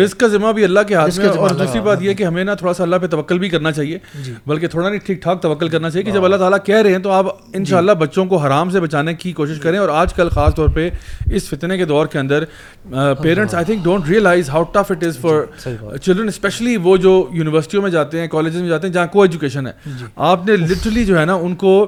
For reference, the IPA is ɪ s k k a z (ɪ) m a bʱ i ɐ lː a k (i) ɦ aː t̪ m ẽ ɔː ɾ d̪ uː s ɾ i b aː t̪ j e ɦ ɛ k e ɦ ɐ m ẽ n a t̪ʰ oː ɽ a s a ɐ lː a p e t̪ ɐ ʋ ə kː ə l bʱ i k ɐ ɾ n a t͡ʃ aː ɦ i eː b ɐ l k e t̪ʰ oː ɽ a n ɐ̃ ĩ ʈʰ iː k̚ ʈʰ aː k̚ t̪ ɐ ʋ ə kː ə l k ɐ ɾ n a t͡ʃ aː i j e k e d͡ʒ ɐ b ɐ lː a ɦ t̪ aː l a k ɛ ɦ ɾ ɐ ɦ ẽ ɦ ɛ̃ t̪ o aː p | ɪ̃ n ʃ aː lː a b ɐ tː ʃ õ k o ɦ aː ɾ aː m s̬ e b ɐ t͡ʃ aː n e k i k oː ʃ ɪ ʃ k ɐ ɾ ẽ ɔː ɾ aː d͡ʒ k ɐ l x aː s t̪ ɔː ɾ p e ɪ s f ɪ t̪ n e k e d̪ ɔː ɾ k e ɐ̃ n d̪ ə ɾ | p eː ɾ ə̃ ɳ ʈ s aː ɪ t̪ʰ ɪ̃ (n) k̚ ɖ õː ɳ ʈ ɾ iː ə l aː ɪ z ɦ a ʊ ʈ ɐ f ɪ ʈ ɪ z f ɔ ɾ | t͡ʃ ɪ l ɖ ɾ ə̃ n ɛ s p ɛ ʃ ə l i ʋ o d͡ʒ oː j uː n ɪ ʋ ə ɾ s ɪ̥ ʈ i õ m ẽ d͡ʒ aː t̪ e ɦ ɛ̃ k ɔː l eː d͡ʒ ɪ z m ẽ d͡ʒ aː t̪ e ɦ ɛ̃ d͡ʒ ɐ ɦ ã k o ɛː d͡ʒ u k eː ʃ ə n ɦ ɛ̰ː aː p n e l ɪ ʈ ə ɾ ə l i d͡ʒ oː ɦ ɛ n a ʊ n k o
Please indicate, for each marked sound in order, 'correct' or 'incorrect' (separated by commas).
correct, incorrect, incorrect